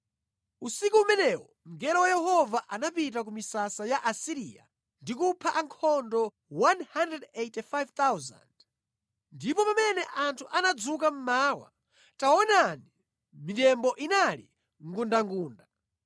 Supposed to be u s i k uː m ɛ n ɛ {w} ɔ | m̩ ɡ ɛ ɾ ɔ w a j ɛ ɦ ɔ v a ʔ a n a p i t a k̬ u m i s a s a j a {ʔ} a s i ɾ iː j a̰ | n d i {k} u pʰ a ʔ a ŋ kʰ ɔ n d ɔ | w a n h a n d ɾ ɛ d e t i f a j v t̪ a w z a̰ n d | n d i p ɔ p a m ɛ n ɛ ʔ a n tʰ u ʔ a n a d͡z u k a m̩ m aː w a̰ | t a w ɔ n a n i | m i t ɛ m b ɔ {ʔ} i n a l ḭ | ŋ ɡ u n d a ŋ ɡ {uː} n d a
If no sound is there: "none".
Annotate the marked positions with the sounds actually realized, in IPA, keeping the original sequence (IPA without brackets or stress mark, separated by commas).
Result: w, ʔ, k, ʔ, uː